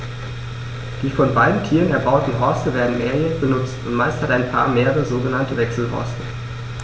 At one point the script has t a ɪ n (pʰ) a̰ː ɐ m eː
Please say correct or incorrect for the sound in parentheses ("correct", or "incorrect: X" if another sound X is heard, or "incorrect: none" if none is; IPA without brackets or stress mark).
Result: correct